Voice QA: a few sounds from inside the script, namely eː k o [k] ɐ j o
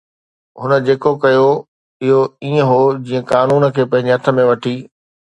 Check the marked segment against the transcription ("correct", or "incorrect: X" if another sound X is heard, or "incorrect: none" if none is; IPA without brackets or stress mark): correct